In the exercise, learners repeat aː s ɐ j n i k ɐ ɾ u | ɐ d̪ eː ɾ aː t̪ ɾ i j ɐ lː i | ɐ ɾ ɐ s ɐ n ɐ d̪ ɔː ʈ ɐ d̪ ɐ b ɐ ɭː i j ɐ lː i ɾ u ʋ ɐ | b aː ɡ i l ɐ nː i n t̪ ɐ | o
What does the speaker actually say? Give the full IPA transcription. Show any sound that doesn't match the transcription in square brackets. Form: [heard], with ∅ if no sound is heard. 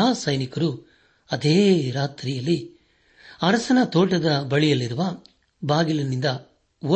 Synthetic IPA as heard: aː s ɐ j n i k ɐ ɾ u | ɐ d̪ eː ɾ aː t̪ ɾ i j ɐ lː i | ɐ ɾ ɐ s ɐ n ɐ [t̪] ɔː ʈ ɐ d̪ ɐ b ɐ [ɭ] i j ɐ lː i ɾ u ʋ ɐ | b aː ɡ i l ɐ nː i n [d̪] ɐ | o